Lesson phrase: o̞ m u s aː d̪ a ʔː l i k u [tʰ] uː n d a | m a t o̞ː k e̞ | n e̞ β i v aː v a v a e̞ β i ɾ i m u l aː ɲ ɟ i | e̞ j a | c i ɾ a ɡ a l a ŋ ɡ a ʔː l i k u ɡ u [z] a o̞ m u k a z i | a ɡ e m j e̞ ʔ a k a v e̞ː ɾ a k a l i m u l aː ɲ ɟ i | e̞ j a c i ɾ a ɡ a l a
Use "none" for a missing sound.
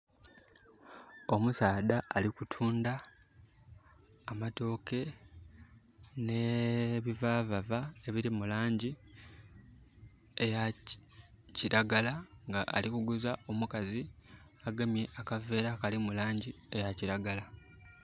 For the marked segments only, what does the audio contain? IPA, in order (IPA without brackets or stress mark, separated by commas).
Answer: tʰ, z